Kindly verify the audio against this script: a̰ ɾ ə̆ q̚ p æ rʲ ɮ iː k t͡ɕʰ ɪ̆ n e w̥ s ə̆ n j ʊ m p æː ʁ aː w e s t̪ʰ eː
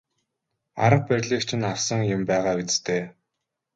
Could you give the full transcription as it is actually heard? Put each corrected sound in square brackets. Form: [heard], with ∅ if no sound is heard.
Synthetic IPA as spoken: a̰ ɾ ə̆ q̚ p æ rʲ ɮ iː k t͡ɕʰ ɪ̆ n [a] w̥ s ə̆ [ŋ] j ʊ m p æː ʁ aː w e [t͡s] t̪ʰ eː